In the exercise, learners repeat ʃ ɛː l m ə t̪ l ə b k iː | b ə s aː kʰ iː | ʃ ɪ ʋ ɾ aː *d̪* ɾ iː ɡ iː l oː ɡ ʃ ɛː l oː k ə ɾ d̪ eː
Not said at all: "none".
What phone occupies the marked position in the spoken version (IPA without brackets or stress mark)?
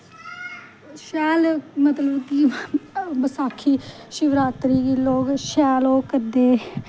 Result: t̪